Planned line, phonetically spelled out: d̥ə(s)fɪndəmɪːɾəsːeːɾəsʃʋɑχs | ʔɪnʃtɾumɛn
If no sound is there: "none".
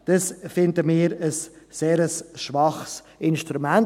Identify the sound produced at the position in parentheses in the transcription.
s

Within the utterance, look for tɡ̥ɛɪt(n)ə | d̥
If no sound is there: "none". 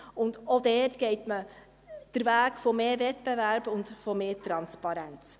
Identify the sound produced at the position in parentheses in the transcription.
m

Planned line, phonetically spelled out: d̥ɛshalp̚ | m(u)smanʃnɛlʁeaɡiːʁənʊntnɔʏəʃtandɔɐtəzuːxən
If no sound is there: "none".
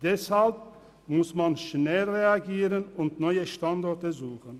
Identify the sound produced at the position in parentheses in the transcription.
ʊ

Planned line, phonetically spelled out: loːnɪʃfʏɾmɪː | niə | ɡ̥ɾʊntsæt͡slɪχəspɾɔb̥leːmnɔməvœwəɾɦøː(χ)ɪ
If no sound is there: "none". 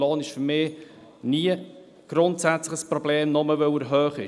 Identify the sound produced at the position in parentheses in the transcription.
χ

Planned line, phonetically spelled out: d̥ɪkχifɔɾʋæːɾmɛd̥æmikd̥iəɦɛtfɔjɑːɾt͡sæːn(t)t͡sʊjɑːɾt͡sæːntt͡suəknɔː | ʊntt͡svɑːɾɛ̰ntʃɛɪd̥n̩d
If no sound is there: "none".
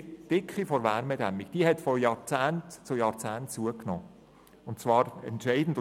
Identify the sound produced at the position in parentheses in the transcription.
t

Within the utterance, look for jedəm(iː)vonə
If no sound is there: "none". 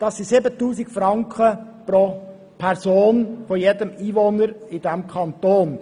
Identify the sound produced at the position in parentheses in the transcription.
iː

